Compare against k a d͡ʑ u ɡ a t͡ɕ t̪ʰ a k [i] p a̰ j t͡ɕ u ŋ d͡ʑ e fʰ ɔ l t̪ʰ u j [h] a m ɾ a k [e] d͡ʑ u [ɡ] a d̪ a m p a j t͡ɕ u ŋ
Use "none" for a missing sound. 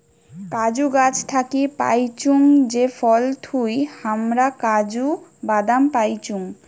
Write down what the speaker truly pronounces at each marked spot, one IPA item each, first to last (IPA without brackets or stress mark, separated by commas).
i, h, a, b